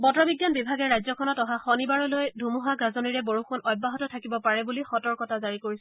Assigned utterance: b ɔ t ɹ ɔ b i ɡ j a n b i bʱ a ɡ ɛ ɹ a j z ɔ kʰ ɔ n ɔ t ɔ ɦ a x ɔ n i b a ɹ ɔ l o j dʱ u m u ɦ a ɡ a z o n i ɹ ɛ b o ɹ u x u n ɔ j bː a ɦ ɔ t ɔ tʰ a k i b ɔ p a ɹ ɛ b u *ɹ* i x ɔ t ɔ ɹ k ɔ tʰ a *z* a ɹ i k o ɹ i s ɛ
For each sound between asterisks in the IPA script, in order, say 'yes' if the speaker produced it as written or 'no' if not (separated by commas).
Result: no, yes